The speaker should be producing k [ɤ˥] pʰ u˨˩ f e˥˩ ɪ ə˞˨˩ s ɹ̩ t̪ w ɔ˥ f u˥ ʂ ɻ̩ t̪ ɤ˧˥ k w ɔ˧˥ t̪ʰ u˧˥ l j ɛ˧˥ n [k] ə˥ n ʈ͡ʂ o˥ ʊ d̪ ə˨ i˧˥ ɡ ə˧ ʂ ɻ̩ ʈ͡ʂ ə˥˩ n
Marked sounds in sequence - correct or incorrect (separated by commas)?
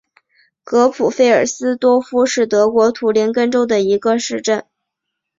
incorrect, correct